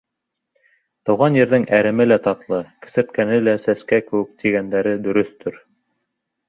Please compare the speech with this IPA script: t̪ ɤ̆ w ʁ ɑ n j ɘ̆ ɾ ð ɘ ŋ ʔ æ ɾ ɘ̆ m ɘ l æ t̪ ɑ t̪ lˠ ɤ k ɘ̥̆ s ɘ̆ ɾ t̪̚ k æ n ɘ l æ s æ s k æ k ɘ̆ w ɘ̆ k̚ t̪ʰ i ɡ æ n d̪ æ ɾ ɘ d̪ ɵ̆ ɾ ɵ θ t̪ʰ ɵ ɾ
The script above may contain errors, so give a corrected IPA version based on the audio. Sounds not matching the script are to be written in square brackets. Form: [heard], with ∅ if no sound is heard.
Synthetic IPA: t̪ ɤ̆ w ʁ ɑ n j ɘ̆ ɾ ð ɘ ŋ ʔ æ ɾ ɘ̆ m ɘ l æ t̪ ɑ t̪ lˠ ɤ k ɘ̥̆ s ɘ̆ ɾ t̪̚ k æ n ɘ l æ s æ s k æ k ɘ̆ w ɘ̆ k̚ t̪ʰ i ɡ æ n d̪ æ ɾ ɘ d̪ ɵ̆ ɾ ɵ θ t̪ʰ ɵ ɾ